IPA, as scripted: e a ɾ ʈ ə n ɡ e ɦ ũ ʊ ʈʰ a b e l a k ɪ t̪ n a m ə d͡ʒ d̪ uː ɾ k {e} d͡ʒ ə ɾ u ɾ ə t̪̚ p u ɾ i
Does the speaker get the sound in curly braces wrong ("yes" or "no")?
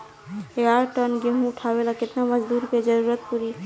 no